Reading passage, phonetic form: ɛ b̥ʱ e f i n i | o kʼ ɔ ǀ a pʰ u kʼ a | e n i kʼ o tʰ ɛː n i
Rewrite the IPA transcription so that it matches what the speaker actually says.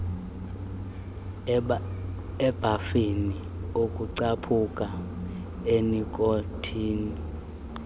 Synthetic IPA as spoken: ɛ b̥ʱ a f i n i | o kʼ u ǀ a pʰ u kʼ a | e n i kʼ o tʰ iː n i